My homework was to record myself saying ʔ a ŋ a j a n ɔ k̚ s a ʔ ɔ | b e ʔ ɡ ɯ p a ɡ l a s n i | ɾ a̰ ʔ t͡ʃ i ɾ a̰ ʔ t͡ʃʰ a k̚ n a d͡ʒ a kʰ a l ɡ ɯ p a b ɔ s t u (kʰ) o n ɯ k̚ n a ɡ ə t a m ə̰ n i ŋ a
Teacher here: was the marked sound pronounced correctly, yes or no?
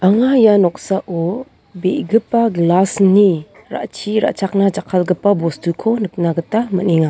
yes